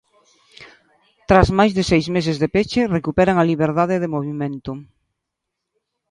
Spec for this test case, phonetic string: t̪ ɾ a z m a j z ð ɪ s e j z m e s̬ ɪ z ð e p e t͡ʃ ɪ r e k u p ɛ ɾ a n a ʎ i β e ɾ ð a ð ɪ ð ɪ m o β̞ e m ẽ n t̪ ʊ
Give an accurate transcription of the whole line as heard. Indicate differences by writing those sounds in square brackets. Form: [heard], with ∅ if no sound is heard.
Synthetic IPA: t̪ ɾ a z m a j z ð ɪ s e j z m e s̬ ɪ z ð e p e t͡ʃ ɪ r e k u p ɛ ɾ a [ŋ] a [l] i β e ɾ ð a ð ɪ ð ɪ m o β̞ [i] m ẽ n t̪ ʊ

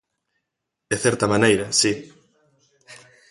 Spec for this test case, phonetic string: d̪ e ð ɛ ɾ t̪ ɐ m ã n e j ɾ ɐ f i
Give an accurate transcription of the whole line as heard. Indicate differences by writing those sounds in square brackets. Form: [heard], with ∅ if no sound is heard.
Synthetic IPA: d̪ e [θ] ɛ ɾ t̪ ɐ m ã n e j ɾ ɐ [s] i

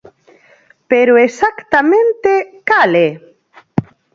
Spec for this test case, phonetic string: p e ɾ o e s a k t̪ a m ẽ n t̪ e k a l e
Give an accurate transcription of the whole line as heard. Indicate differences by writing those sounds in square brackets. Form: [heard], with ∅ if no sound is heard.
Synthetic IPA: p e ɾ o e s a k t̪ a m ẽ n t̪ e k a l e

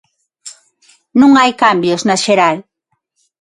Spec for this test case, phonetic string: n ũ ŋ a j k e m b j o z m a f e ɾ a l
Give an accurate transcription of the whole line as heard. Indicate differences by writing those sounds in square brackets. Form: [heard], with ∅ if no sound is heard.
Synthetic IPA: n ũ ŋ a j k [a] m b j o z [n] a [ʃ] e ɾ a l

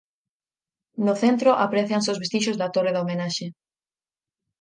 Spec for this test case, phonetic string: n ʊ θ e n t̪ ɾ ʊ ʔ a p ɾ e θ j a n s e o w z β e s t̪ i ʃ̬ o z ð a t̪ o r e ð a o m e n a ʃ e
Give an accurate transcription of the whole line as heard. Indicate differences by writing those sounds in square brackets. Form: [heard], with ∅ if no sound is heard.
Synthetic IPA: n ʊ θ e n t̪ ɾ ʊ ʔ a p ɾ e θ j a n s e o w z β e s t̪ i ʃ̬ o z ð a t̪ o r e ð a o m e n a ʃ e

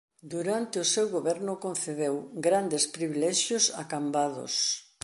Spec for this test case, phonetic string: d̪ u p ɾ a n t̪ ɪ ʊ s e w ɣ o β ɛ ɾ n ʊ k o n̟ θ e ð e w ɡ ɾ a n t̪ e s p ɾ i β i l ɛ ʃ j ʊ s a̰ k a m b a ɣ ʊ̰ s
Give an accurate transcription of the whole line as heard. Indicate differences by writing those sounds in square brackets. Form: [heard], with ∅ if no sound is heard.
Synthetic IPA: d̪ u [∅] ɾ a n t̪ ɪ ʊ s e w ɣ o β ɛ ɾ n ʊ k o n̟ θ e ð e w ɡ ɾ a n [d̪] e s p ɾ i β i l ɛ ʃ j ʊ s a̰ k a m b a [ð] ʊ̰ s

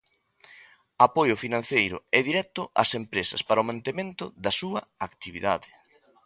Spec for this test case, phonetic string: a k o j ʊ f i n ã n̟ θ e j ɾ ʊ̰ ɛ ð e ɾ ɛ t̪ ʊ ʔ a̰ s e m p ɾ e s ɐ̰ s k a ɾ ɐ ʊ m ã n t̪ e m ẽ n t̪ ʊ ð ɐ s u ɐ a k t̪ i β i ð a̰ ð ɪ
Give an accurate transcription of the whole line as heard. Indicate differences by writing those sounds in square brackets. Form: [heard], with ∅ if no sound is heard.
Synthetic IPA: a [p] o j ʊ f i n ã n̟ θ e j ɾ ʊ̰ ɛ ð [i] ɾ ɛ t̪ ʊ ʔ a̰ s e m p ɾ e s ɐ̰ s [p] a ɾ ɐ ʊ m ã n t̪ e m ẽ n t̪ ʊ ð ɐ s u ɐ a k t̪ i β i ð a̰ ð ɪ

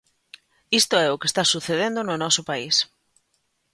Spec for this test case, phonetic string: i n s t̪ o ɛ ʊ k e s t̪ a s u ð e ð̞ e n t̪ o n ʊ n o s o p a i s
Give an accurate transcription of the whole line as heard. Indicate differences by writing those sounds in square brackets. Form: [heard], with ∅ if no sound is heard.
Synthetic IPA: i [∅] s t̪ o ɛ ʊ k e s t̪ a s u [θ] e ð̞ e n [d̪] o n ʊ n [ɔ] s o p a i s

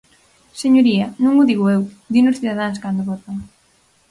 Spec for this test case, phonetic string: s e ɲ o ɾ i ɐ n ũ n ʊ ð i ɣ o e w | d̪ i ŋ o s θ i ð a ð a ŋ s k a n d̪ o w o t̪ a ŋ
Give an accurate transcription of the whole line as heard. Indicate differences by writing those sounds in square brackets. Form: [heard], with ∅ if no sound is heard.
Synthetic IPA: s e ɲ o ɾ i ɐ n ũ [ŋ] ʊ ð i ɣ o e w | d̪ i [n] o s θ i ð a ð a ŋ s k a n d̪ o [β] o t̪ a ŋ

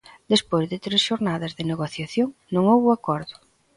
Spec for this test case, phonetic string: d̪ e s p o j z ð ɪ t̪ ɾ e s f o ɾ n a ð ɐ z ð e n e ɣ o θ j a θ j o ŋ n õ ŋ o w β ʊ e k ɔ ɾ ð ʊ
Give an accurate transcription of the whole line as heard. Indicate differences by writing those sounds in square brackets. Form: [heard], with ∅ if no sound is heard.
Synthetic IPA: d̪ e s p o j z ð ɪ t̪ ɾ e s [ʃ] o ɾ n a ð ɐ z ð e n e ɣ o θ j a θ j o ŋ n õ ŋ o w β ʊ [a] k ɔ ɾ ð ʊ

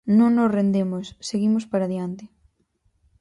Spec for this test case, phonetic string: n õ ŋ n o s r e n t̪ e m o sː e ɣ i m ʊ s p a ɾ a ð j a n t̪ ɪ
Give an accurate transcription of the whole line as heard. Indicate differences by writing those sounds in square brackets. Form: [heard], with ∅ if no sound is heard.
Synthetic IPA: n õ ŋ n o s r e n [d̪] e m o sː e ɣ i m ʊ s p a ɾ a ð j a n t̪ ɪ

